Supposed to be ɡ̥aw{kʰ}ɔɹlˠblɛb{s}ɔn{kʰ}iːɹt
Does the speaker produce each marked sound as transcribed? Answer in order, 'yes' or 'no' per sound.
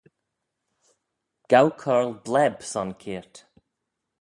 yes, yes, yes

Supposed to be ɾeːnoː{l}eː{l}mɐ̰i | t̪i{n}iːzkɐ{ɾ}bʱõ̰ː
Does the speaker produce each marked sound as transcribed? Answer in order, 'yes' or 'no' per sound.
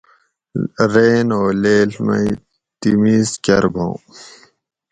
yes, yes, no, yes

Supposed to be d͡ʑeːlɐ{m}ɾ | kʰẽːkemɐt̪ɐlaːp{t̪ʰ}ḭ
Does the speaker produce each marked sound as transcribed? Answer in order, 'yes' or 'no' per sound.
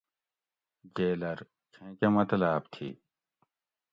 no, yes

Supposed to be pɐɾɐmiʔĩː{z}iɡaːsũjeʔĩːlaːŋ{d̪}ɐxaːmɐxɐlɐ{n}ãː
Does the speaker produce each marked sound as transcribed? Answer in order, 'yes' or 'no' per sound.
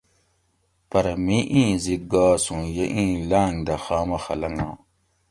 yes, yes, no

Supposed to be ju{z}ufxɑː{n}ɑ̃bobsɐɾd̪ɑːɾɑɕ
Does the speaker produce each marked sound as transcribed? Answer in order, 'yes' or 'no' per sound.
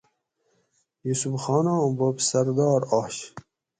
no, yes

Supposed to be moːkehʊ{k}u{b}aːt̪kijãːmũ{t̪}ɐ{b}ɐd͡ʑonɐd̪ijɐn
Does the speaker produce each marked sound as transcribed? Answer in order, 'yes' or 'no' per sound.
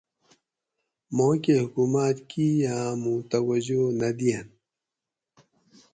yes, no, yes, no

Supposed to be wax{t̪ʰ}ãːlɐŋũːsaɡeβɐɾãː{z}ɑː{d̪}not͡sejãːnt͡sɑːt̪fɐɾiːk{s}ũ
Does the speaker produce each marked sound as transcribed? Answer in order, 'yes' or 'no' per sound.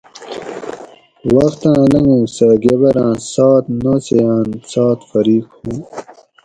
no, no, no, no

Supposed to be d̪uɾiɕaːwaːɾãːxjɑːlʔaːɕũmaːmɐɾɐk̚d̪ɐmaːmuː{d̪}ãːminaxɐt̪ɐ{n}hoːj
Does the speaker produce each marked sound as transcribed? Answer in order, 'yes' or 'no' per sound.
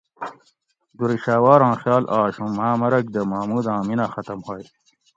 yes, no

